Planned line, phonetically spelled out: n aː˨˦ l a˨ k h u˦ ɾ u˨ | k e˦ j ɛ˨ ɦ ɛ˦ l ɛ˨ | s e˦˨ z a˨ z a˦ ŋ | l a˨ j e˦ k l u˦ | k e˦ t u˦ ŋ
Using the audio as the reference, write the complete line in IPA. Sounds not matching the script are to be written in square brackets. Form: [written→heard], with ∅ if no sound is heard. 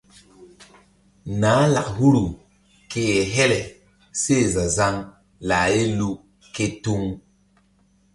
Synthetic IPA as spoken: n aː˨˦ l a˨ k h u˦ ɾ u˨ | k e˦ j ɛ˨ ɦ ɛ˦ l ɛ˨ | s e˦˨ z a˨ z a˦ ŋ | l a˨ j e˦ [k→∅] l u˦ | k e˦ t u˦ ŋ